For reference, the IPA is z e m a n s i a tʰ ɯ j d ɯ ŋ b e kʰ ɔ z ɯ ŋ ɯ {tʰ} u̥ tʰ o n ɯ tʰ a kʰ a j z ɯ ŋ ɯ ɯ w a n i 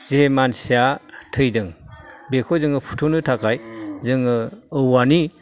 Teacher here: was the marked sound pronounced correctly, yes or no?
no